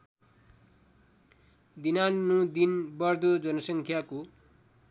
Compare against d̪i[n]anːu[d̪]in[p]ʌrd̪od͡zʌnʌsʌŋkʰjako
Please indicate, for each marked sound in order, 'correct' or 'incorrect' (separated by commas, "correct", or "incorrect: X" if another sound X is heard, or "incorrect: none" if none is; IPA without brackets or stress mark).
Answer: correct, correct, incorrect: b